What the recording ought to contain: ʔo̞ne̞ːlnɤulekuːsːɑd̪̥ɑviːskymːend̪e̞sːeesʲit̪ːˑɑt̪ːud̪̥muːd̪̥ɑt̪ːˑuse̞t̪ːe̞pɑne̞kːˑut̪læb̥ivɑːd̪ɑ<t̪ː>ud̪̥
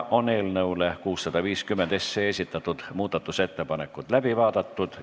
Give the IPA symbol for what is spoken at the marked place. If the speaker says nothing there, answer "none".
t̪ː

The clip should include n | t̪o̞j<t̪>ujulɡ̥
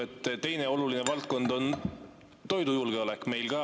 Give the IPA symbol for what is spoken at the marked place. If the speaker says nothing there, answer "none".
d̪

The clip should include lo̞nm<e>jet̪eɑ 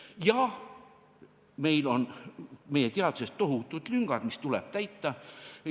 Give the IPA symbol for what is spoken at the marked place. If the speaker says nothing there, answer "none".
e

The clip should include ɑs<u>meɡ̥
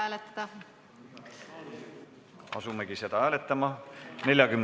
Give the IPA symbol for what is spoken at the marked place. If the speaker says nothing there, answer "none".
u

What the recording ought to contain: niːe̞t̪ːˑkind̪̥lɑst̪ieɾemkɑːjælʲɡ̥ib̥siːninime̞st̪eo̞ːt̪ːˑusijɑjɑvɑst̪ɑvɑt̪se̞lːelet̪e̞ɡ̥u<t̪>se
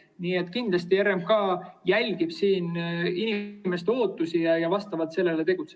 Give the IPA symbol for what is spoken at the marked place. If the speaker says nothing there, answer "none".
t̪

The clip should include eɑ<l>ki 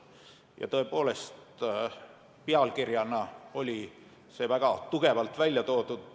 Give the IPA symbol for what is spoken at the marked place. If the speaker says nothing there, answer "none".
l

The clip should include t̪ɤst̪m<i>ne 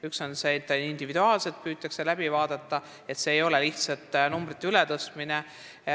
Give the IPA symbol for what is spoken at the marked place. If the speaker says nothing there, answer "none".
i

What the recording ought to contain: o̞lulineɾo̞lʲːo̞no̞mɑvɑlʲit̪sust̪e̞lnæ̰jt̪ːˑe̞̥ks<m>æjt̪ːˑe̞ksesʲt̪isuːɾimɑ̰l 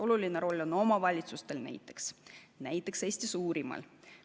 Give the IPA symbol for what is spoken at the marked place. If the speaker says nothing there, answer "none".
n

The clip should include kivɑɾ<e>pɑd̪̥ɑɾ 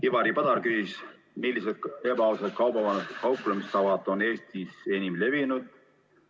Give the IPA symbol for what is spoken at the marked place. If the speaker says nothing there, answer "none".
i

